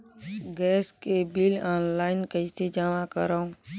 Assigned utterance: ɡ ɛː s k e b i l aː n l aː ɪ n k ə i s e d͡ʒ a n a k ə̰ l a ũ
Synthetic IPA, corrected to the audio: ɡ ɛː s k e b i l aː n l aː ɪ n k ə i s e d͡ʒ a m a k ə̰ ɾ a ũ